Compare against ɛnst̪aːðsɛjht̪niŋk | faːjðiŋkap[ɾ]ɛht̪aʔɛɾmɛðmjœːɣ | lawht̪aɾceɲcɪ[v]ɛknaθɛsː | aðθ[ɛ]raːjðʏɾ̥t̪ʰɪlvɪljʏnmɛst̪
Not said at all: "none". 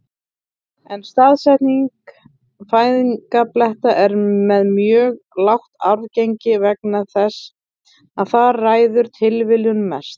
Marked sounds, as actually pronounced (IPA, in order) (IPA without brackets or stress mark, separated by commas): l, v, a